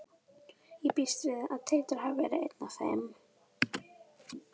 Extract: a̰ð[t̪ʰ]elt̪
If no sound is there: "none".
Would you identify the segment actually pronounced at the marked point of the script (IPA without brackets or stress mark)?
t̪ʰ